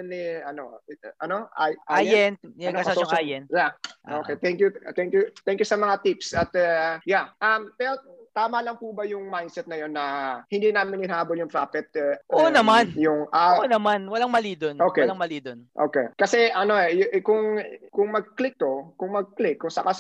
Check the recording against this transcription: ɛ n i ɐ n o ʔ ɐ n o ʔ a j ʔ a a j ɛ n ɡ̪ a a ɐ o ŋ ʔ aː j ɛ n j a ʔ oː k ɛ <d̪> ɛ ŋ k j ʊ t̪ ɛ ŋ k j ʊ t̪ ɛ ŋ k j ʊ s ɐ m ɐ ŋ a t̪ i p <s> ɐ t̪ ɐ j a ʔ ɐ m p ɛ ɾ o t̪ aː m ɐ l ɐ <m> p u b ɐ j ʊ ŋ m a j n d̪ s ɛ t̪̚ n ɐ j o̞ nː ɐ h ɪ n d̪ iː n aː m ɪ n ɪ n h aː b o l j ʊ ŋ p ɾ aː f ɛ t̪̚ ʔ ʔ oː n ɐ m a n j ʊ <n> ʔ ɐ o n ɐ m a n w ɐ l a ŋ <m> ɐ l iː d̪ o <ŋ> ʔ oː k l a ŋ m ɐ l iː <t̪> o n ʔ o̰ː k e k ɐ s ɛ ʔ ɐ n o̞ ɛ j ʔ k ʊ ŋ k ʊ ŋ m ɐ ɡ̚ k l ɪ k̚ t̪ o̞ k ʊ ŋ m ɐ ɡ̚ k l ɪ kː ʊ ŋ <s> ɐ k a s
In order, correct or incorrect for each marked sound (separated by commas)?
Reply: incorrect, correct, incorrect, incorrect, correct, incorrect, incorrect, correct